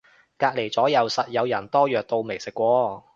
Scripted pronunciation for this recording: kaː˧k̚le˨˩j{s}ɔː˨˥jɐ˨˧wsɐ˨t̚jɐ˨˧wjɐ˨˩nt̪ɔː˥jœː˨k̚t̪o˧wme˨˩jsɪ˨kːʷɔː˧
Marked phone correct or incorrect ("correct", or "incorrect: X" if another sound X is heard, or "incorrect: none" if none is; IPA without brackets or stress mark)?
incorrect: t͡s